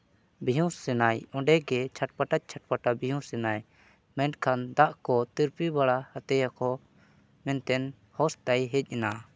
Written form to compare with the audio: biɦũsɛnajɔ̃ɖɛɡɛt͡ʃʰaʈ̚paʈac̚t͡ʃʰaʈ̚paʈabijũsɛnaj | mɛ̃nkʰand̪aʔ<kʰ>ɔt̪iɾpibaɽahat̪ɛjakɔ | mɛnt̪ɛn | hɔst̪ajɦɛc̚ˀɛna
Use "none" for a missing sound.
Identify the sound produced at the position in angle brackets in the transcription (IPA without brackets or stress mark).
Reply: k